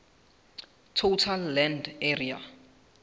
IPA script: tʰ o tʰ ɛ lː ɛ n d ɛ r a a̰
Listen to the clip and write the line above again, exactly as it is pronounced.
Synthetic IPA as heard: tʰ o tʰ a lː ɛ n d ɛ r i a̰